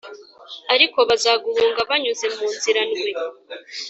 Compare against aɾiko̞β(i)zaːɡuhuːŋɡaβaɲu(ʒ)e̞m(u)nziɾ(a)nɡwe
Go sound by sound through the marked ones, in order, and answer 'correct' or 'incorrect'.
incorrect: a, incorrect: z, incorrect: uː, correct

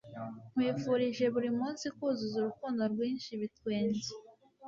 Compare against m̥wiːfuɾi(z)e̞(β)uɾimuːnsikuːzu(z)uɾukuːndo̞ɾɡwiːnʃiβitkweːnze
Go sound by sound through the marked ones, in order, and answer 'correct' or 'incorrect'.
incorrect: ʒ, correct, correct

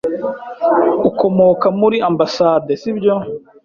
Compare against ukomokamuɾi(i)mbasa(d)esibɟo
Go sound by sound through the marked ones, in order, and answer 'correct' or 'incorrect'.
incorrect: a, correct

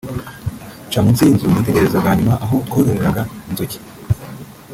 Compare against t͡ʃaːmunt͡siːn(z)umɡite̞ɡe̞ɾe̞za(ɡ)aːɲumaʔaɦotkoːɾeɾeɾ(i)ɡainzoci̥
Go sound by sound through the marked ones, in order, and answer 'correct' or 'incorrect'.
correct, correct, incorrect: a

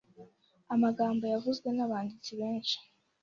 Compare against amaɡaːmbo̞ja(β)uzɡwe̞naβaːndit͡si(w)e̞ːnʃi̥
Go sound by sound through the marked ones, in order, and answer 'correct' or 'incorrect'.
incorrect: v, incorrect: β

